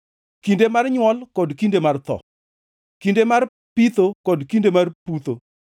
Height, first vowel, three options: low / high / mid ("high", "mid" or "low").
high